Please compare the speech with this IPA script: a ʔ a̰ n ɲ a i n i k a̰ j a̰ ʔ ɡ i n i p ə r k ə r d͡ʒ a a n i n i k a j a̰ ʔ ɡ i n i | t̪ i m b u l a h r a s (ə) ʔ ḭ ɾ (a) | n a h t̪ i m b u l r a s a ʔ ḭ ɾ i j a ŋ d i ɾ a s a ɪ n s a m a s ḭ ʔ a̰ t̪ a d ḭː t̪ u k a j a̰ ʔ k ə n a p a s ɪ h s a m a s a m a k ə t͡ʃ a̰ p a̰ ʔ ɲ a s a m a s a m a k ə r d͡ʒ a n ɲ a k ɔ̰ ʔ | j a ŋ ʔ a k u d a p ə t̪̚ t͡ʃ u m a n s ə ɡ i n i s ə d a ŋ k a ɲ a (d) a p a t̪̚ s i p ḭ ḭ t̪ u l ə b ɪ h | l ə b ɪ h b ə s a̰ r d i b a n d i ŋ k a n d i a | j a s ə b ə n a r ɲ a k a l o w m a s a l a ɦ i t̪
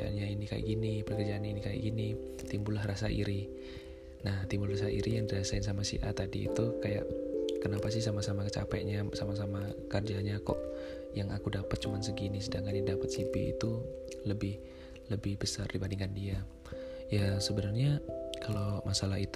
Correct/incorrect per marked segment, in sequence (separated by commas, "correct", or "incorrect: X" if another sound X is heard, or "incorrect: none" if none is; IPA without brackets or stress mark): incorrect: a, incorrect: i, correct